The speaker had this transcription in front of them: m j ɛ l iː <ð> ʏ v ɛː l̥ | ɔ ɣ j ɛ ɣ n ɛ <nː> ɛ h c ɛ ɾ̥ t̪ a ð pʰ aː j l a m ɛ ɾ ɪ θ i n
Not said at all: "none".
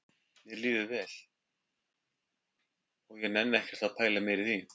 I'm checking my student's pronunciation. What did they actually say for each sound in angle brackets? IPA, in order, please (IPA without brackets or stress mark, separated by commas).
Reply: ð, nː